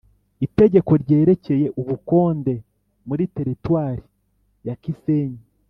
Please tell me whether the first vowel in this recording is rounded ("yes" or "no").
no